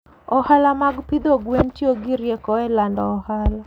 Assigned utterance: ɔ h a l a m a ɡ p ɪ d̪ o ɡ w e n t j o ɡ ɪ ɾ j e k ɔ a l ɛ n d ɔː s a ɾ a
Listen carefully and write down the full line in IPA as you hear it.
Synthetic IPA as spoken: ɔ h a l a m a ɡ p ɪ d̪ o ɡ w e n t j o ɡ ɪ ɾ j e k ɔ ɛ l a n d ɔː h a l a